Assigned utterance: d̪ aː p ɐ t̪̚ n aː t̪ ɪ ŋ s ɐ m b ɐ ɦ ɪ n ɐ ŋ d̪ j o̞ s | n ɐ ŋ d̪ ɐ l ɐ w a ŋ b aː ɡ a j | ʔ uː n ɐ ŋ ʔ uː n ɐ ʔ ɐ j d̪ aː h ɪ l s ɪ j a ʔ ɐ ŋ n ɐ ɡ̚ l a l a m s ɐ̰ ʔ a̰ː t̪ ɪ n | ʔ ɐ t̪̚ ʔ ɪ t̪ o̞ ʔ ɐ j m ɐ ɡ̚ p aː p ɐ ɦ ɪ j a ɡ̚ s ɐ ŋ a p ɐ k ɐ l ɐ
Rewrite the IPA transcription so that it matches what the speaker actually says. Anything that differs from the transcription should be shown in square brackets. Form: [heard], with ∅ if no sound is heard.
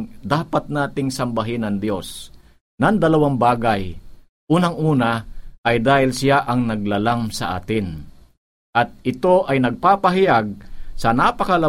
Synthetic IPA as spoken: d̪ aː p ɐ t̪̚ n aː t̪ ɪ ŋ s ɐ m b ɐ ɦ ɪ n ɐ ŋ d̪ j o̞ s | n ɐ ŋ d̪ ɐ l ɐ w a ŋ b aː ɡ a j | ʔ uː n ɐ ŋ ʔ uː n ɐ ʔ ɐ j d̪ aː h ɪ l s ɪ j a ʔ ɐ ŋ n ɐ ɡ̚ l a l a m s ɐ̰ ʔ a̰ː t̪ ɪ n | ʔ ɐ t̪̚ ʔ ɪ t̪ o̞ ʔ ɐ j [n] ɐ ɡ̚ p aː p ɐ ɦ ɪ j a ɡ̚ s ɐ [n] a p ɐ k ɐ l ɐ